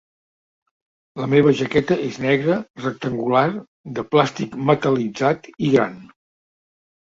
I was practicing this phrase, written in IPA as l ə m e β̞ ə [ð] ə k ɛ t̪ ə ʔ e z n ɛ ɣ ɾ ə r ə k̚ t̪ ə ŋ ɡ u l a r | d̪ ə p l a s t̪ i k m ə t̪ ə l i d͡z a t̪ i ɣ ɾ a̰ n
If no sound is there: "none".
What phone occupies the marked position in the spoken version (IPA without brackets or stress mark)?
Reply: ʒ